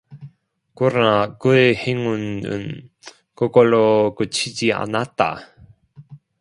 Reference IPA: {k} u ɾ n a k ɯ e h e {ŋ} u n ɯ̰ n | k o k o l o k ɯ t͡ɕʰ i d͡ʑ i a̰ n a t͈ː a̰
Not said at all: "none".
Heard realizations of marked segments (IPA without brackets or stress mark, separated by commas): k, ŋ